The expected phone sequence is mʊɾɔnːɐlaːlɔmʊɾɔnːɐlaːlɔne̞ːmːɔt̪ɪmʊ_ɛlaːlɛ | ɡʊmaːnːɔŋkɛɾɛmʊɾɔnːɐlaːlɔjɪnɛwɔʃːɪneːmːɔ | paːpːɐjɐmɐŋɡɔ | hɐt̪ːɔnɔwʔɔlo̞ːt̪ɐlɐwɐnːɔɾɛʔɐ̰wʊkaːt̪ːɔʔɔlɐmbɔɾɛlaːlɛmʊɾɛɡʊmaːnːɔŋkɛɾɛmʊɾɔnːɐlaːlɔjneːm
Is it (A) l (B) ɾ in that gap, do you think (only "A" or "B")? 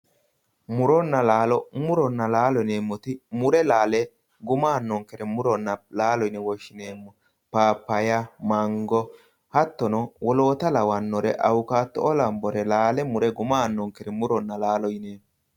B